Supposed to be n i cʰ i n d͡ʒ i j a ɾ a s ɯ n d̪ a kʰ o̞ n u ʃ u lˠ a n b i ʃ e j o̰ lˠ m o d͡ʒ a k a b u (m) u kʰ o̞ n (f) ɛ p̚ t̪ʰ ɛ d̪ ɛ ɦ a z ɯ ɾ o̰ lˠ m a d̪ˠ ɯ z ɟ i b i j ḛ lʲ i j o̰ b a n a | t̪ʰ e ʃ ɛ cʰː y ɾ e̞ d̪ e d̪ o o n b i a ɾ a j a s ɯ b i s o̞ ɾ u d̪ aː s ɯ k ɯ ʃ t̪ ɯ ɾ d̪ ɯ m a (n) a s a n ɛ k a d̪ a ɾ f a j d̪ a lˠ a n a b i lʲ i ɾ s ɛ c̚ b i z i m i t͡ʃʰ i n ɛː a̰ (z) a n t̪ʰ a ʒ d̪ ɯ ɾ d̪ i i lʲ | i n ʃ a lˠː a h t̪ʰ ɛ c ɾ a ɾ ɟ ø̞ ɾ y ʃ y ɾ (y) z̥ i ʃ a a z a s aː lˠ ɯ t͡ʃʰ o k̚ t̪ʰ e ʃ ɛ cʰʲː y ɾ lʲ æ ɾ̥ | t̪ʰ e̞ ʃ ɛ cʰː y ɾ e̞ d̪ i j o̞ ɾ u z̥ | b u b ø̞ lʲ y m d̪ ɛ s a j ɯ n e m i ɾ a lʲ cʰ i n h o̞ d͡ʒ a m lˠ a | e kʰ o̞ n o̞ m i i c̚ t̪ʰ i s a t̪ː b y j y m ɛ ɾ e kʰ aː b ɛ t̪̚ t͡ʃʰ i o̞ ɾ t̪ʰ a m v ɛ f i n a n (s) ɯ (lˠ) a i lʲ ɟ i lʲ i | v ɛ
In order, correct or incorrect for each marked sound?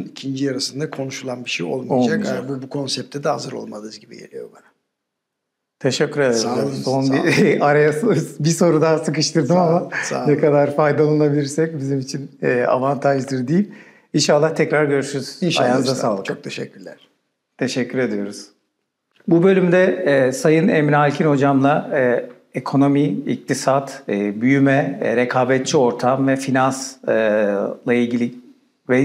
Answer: incorrect: b, incorrect: s, incorrect: m, incorrect: v, correct, correct, correct

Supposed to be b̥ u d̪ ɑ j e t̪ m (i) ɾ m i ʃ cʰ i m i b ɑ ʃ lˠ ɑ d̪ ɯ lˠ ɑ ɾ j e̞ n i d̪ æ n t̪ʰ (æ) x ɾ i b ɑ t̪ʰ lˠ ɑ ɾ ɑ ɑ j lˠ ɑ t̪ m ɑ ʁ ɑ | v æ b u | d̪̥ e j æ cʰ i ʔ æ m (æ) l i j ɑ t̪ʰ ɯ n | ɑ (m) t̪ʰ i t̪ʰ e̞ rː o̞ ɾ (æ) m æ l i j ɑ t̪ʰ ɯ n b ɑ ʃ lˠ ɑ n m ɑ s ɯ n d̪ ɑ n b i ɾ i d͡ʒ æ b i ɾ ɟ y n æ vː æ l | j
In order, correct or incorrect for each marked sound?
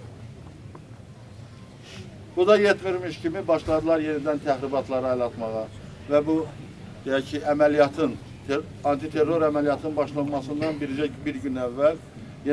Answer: correct, correct, correct, incorrect: n, correct

